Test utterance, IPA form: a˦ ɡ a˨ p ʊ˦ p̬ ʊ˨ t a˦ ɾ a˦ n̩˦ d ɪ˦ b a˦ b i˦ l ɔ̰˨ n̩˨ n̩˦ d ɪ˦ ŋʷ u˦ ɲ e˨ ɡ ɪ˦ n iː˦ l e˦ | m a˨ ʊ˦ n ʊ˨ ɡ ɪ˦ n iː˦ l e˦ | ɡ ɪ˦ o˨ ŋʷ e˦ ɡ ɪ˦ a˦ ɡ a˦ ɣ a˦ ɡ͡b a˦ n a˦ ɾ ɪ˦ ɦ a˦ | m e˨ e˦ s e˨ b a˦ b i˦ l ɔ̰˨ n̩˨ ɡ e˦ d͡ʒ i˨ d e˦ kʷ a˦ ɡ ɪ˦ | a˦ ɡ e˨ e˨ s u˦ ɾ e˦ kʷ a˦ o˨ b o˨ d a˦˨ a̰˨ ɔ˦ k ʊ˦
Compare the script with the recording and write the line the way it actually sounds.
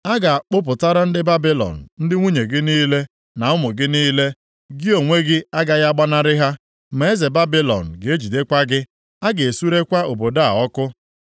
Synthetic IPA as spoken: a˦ ɡ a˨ k͡p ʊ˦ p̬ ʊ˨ t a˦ ɾ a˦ n̩˦ d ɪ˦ b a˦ b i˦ l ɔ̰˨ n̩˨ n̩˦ d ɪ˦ ŋʷ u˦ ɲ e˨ ɡ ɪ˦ n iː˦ l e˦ | n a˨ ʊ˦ m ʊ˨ ɡ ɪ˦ n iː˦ l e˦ | ɡ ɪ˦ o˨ ŋʷ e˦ ɡ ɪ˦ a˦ ɡ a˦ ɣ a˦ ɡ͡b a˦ n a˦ ɾ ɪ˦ ɦ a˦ | m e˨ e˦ z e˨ b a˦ b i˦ l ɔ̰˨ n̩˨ ɡ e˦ d͡ʒ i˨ d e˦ kʷ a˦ ɡ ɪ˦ | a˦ ɡ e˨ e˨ s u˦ ɾ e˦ kʷ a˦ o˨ b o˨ d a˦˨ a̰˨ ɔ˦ k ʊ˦

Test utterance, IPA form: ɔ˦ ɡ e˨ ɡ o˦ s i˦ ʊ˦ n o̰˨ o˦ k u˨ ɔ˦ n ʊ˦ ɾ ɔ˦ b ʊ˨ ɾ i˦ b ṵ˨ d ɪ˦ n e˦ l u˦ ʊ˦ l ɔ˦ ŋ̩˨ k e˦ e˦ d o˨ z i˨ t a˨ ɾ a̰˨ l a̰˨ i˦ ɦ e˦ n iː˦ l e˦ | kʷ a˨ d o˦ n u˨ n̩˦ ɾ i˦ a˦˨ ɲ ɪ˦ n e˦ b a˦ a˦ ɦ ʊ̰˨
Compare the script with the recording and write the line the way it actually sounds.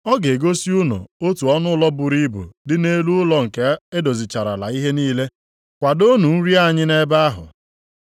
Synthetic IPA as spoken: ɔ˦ ɡ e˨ ɡ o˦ s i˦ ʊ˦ n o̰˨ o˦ t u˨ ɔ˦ n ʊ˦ l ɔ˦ b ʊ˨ ɾ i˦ b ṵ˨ d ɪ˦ n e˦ l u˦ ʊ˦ l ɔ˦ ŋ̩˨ k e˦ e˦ d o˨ z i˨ t͡ʃ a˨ ɾ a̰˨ l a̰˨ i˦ ɦ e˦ n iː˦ l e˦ | kʷ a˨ d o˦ n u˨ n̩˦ ɾ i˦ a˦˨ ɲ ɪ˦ n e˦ b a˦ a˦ ɦ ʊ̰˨

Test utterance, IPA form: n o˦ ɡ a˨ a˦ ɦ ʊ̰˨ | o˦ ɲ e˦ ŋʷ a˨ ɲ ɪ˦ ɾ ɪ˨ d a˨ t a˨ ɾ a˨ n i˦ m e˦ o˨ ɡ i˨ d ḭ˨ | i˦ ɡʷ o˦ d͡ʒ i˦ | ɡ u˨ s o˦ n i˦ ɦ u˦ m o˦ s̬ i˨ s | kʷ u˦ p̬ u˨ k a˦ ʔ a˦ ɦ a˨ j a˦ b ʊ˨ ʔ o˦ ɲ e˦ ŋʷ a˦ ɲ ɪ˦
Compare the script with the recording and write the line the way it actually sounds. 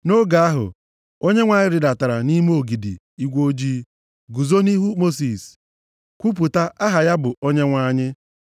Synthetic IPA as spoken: n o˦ ɡ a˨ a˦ ɦ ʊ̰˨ | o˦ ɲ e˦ ŋʷ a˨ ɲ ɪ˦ ɾ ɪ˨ d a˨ t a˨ ɾ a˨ n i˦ m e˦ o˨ ɡ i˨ d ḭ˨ | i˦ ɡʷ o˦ d͡ʒ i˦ | ɡ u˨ z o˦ n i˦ ɦ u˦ m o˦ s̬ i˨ s | kʷ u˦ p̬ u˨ t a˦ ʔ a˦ ɦ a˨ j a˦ b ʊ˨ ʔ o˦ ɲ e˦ ŋʷ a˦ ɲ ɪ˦

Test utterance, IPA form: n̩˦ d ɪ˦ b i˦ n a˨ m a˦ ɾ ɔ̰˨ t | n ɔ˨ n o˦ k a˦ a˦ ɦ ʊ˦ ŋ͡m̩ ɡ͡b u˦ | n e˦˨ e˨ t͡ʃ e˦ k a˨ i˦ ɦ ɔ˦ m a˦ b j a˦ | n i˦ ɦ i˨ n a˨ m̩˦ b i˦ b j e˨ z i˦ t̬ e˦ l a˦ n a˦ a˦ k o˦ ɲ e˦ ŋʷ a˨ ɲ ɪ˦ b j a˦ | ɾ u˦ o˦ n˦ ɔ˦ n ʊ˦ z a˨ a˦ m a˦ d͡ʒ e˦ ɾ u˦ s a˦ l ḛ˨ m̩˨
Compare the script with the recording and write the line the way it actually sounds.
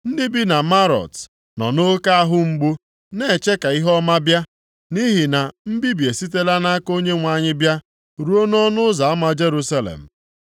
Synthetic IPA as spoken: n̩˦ d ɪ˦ b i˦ n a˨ m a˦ ɾ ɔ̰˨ t | n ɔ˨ n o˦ k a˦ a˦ ɦ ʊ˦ ŋ͡m̩ ɡ͡b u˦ | n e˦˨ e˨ t͡ʃ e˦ k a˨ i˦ ɦ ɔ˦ m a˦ b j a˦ | n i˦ ɦ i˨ n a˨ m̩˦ b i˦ b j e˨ s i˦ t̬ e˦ l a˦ n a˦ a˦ k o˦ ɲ e˦ ŋʷ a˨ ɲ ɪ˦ b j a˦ | ɾ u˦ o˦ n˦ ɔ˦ n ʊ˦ z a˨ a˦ m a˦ d͡ʒ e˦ ɾ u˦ s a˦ l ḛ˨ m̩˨

